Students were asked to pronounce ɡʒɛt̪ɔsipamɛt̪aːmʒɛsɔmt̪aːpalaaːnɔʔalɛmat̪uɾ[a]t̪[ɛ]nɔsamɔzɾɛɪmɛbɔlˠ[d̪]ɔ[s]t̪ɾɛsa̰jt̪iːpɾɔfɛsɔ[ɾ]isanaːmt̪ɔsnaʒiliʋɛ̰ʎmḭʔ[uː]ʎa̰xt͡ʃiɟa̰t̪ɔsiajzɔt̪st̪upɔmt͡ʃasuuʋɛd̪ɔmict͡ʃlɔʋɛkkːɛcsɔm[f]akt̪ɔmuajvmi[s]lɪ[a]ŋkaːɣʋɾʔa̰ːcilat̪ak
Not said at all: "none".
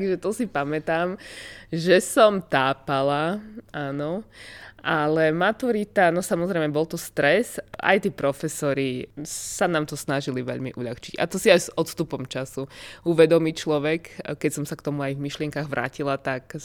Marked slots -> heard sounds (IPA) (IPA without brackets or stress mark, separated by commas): i, a, t̪, s, ɾ, u, s, ʃ, ɛ